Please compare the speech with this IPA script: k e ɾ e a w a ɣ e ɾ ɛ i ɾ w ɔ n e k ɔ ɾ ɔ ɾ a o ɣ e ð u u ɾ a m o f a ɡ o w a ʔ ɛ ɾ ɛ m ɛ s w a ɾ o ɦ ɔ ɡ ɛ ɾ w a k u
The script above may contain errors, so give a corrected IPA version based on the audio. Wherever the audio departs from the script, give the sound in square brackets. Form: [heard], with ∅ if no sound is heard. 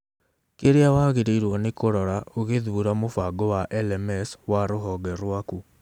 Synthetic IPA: k e ɾ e a w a ɣ e ɾ [e] i ɾ w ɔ n e k [o] ɾ ɔ ɾ a o ɣ e ð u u ɾ a m o f a ɡ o w a ʔ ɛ [l] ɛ m ɛ s w a ɾ o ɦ ɔ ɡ ɛ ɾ w a k u